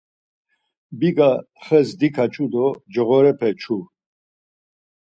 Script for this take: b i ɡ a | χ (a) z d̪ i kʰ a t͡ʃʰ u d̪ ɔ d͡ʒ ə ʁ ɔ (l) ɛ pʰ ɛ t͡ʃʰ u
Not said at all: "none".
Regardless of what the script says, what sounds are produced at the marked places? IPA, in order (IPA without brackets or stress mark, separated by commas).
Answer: ɛ, ɾ